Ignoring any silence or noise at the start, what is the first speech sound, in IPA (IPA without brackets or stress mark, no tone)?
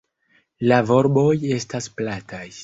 l